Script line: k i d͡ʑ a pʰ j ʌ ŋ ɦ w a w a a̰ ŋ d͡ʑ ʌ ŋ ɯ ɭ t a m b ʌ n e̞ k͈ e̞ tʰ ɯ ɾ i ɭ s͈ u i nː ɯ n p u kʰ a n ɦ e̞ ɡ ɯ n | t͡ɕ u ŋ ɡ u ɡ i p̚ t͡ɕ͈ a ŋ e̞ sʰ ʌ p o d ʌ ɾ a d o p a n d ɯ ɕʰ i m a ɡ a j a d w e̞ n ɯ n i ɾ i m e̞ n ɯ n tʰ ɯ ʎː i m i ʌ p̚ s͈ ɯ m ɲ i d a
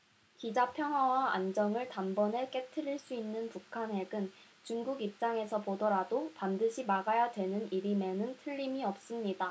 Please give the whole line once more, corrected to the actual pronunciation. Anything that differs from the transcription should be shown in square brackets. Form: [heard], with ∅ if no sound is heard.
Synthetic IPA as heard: k i d͡ʑ a pʰ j ʌ ŋ ɦ w a w a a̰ [n] d͡ʑ ʌ ŋ ɯ ɭ t a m b ʌ n e̞ k͈ e̞ tʰ ɯ ɾ i ɭ s͈ u i nː ɯ n p u kʰ a n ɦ e̞ ɡ ɯ n | t͡ɕ u ŋ ɡ u ɡ i p̚ t͡ɕ͈ a ŋ e̞ sʰ ʌ p o d ʌ ɾ a d o p a n d ɯ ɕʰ i m a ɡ a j a d w e̞ n ɯ n i ɾ i m e̞ n ɯ n tʰ ɯ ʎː i m i ʌ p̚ s͈ ɯ m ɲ i d a